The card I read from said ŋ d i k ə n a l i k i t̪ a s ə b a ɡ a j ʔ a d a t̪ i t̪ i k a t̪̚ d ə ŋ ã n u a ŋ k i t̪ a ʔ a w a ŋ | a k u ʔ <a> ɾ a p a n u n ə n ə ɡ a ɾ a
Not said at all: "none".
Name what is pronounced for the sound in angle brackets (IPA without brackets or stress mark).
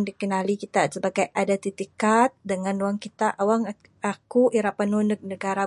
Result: i